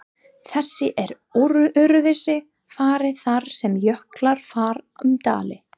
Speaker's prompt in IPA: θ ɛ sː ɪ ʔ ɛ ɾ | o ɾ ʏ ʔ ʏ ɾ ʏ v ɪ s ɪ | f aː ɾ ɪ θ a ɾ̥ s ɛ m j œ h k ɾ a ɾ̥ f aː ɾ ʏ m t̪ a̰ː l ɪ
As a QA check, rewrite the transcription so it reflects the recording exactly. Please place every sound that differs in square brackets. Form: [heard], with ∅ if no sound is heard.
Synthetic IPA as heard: θ ɛ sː ɪ ʔ ɛ ɾ | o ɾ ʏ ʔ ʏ ɾ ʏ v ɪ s ɪ | f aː ɾ ɪ θ a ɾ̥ s ɛ m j œ h k [l] a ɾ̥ f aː ɾ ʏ m t̪ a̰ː l ɪ